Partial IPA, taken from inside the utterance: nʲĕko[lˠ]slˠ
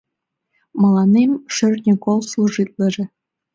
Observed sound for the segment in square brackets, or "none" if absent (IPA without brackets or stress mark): lˠ